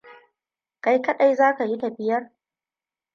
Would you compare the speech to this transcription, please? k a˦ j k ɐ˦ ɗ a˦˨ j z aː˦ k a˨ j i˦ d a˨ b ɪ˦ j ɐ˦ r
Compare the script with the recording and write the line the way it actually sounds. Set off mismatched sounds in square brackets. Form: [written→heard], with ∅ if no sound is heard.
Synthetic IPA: k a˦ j k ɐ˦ ɗ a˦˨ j z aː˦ k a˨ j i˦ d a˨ b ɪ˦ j ɐ˦ r

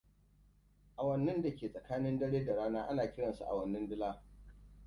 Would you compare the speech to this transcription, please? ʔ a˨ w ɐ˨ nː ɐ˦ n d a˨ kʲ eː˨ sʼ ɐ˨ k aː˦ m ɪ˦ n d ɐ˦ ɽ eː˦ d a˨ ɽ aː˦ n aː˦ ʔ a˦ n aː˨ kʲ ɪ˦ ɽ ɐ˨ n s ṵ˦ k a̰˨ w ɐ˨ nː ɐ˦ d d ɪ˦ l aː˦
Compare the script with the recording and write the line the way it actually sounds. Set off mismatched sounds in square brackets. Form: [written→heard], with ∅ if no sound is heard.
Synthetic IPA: ʔ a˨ w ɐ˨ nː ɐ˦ n d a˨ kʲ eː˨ sʼ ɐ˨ k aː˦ [m→n] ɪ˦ n d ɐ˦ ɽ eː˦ d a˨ ɽ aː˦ n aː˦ ʔ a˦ n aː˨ kʲ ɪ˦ ɽ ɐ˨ n s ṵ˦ [k→ʔ] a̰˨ w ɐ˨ nː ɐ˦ [d→n] d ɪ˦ l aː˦

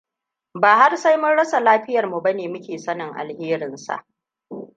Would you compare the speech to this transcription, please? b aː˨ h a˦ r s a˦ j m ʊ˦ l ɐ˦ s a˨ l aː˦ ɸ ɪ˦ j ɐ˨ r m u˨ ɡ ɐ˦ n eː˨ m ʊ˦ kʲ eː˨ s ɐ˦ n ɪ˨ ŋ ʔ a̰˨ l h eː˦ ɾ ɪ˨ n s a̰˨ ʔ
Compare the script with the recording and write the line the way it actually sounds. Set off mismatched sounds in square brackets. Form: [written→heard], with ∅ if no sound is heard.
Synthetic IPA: b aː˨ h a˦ r s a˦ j m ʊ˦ [l→ɽ] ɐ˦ s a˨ l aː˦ ɸ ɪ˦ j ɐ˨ r m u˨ [ɡ→b] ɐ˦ n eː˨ m ʊ˦ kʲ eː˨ s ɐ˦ n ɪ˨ ŋ ʔ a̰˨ l h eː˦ ɾ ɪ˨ n s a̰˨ ʔ

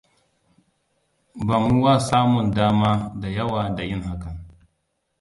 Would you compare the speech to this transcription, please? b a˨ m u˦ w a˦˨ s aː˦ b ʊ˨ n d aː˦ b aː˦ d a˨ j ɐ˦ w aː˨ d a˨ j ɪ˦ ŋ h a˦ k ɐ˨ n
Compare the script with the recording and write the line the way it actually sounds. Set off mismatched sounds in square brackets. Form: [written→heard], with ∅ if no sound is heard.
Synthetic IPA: b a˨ m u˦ w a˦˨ s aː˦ [b→m] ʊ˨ n d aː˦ [b→m] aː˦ d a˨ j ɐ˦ w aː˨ d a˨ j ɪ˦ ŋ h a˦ k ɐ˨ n

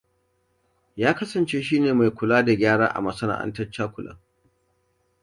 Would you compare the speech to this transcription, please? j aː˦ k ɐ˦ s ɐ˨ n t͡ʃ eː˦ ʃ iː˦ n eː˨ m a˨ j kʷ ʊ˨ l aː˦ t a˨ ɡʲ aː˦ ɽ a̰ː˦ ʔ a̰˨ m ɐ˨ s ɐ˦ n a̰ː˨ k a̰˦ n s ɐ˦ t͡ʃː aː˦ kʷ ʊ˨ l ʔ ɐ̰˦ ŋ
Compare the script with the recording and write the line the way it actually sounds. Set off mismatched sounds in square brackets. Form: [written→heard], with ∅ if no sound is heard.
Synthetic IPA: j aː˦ k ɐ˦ s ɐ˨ n t͡ʃ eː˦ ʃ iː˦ n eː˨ m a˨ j kʷ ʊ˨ l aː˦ [t→d] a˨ ɡʲ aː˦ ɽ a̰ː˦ ʔ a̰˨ m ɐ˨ s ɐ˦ n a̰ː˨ [k→ʔ] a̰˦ n [s→t] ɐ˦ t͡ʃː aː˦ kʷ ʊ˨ l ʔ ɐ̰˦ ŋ

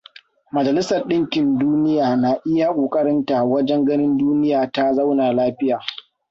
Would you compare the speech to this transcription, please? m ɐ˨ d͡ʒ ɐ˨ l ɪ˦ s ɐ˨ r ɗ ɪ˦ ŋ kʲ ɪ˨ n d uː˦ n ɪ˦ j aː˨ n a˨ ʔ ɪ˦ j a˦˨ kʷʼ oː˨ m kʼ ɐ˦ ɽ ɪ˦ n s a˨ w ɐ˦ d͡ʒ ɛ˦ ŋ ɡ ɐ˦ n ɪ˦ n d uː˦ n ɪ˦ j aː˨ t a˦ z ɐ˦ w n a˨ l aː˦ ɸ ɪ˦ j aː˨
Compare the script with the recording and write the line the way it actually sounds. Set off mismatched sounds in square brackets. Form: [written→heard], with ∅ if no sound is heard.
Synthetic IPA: m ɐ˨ d͡ʒ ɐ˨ l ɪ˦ s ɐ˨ r ɗ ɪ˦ ŋ kʲ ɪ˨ n d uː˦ n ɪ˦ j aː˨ n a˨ ʔ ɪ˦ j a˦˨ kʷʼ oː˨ [m→∅] kʼ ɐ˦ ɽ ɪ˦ n [s→t] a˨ w ɐ˦ d͡ʒ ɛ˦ ŋ ɡ ɐ˦ n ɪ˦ n d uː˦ n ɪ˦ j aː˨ t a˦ z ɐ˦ w n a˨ l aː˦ ɸ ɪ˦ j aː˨

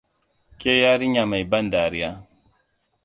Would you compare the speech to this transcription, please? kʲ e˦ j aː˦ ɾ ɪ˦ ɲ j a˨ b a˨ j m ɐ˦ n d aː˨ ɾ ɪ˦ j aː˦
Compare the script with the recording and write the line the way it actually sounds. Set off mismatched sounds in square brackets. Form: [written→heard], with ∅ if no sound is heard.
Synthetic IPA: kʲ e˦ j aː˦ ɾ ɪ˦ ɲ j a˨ [b→m] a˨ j [m→b] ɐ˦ n d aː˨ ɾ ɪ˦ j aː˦

